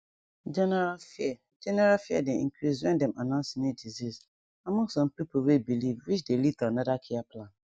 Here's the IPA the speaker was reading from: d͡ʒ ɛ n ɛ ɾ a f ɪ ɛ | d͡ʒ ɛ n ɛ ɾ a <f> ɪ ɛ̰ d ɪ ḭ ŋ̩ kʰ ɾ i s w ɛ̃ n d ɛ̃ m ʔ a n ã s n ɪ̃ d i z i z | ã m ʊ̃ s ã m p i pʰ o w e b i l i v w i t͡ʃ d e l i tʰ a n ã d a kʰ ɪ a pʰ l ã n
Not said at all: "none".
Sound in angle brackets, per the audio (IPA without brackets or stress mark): f